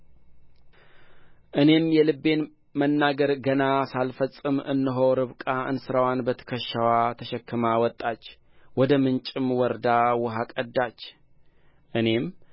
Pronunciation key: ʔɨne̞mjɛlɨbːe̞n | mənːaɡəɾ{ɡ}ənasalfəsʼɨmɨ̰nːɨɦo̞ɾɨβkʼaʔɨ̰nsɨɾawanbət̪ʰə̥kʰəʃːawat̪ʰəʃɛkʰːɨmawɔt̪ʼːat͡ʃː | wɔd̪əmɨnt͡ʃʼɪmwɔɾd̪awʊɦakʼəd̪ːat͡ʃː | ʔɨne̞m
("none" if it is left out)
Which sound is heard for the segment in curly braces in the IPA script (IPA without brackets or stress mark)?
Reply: ɡ